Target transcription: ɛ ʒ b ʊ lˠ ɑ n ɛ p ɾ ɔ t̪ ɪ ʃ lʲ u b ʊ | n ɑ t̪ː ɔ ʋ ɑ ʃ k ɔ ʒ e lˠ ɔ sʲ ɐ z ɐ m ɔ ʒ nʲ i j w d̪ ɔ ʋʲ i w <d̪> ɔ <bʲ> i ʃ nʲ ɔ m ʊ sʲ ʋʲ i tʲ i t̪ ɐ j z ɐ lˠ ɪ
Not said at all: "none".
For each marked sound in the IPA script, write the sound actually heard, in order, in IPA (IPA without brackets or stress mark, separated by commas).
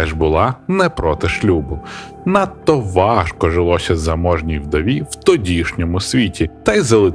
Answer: t̪, dʲ